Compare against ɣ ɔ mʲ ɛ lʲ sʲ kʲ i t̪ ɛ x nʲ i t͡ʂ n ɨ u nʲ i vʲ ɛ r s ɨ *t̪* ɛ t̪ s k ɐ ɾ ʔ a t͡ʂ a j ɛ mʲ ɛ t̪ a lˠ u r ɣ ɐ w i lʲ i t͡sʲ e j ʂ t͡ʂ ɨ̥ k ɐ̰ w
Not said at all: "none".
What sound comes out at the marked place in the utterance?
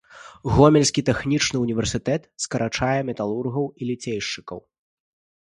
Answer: t̪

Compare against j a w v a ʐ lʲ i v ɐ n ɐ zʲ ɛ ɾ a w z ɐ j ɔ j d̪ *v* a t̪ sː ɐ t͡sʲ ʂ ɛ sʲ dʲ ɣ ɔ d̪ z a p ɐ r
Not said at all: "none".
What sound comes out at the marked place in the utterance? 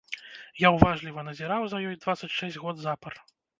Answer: v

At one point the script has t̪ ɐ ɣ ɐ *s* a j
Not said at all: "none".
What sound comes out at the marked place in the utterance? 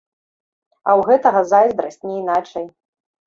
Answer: z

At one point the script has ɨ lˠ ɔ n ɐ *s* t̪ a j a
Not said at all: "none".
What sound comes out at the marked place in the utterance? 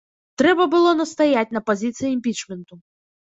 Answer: s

